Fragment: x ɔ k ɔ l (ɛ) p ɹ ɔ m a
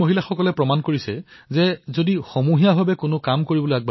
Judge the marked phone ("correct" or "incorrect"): correct